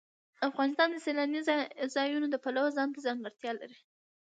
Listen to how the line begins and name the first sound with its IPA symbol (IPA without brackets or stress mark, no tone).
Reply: a